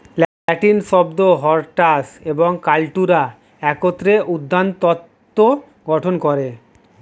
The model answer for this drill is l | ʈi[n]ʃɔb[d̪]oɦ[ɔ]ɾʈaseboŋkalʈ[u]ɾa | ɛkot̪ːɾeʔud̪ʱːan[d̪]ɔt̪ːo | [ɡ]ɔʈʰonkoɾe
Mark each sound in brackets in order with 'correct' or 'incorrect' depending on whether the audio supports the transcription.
correct, correct, correct, correct, incorrect, correct

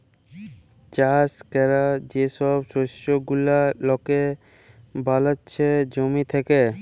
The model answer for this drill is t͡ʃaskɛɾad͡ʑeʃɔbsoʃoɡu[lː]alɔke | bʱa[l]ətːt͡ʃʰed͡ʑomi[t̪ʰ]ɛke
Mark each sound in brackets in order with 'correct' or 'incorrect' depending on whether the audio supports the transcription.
incorrect, correct, correct

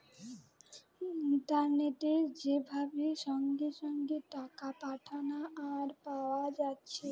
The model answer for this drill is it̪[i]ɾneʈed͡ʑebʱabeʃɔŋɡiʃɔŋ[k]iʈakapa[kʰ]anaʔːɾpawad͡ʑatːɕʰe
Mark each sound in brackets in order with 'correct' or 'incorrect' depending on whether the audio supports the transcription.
incorrect, incorrect, incorrect

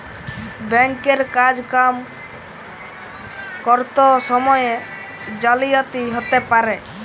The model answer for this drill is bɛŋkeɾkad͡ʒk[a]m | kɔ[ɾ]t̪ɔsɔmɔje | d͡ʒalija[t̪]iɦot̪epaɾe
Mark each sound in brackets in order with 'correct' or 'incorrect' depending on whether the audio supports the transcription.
correct, correct, correct

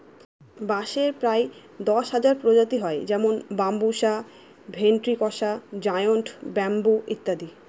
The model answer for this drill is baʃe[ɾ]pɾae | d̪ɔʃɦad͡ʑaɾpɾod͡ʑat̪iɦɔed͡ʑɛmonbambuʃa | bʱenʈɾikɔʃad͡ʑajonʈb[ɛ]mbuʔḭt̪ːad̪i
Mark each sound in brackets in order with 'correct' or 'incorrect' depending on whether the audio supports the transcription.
correct, correct

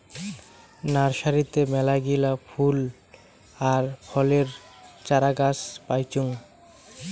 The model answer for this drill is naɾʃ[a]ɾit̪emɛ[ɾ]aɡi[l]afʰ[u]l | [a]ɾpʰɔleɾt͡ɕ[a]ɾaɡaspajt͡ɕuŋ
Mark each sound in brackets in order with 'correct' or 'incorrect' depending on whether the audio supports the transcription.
correct, incorrect, correct, correct, correct, correct

